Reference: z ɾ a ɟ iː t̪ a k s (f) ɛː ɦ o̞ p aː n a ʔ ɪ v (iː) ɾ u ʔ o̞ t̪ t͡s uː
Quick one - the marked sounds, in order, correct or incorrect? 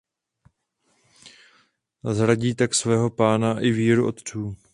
incorrect: v, correct

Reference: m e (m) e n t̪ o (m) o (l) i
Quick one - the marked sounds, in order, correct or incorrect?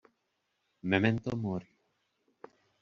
correct, correct, incorrect: ɾ

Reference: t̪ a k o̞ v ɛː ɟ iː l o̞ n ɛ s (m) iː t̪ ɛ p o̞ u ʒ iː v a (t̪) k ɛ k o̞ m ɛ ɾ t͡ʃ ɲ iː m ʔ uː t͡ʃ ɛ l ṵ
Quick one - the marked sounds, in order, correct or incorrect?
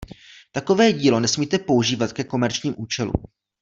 correct, correct

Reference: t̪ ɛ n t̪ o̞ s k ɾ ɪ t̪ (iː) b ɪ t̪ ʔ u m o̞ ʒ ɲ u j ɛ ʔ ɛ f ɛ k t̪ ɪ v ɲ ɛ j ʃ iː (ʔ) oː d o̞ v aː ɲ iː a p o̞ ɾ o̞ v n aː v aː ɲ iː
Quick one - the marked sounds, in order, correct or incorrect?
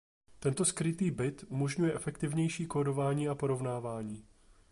correct, incorrect: k

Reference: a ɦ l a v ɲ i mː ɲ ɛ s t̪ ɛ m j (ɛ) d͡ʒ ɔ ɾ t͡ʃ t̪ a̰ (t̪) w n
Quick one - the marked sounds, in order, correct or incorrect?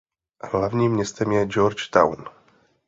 correct, incorrect: none

